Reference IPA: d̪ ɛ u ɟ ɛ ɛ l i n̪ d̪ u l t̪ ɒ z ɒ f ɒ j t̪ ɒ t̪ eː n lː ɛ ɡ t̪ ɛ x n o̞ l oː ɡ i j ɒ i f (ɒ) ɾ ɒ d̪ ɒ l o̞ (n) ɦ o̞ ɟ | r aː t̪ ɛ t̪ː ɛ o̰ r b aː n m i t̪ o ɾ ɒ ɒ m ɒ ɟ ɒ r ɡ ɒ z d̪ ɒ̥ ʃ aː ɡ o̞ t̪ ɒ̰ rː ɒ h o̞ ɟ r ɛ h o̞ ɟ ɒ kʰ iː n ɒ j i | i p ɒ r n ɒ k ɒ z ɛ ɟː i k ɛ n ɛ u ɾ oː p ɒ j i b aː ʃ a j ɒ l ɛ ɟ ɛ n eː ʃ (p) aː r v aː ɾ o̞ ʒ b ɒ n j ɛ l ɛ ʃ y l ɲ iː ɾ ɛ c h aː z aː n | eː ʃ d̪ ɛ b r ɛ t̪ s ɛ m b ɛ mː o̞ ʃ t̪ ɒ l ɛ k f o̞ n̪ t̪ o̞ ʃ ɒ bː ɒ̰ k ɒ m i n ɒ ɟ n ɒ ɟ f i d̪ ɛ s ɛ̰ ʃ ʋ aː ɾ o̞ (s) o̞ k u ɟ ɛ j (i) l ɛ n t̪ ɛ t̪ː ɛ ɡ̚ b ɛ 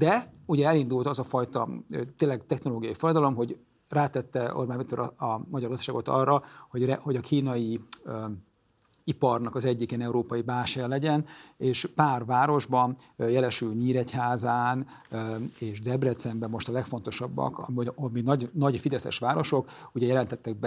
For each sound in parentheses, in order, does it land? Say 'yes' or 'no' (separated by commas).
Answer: no, no, yes, no, no